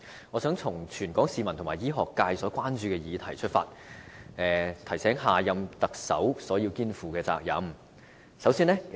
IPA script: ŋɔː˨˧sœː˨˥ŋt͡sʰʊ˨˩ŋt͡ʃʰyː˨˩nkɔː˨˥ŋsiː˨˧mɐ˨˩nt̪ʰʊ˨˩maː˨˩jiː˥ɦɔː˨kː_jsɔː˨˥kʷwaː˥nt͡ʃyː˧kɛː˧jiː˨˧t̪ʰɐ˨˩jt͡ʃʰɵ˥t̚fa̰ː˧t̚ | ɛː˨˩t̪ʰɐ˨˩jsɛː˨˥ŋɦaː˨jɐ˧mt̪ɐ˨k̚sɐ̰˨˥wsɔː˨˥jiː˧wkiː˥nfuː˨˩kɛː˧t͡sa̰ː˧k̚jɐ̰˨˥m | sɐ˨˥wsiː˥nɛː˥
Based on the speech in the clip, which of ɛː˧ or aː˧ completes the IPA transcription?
aː˧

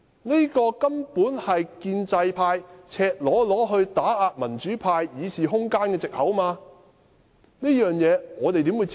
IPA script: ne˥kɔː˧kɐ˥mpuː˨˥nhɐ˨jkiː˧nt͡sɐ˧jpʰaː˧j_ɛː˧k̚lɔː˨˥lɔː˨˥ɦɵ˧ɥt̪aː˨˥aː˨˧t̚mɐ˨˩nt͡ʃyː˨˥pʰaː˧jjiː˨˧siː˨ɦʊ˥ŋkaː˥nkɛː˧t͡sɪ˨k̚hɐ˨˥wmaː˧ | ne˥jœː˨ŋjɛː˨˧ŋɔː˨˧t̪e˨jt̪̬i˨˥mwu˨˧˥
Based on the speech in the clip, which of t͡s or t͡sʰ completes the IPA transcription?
t͡sʰ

